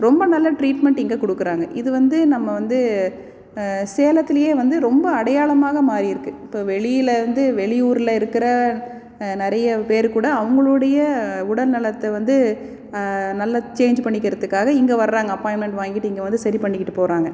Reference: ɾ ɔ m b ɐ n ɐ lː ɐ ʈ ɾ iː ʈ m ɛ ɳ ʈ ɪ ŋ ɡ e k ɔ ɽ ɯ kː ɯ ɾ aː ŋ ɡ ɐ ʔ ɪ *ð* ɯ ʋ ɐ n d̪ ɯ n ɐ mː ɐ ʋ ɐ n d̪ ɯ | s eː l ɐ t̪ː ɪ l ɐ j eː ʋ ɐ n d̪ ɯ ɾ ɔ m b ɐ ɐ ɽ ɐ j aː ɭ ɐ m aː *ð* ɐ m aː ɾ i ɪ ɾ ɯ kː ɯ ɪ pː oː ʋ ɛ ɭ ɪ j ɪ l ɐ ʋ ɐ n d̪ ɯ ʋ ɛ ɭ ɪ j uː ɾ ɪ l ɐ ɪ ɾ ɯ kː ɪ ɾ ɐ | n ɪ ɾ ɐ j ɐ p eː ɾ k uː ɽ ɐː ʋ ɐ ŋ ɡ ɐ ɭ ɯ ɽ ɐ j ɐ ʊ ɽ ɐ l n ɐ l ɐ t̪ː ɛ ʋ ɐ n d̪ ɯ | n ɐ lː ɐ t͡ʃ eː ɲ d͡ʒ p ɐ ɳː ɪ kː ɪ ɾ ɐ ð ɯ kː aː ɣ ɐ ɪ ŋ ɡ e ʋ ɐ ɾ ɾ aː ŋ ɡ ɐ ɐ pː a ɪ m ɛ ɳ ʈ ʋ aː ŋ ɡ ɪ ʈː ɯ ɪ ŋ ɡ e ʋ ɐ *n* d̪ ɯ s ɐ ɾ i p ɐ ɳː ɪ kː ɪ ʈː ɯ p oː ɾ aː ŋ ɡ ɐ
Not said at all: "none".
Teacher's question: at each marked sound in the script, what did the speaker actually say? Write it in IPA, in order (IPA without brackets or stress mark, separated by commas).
ð, ɣ, n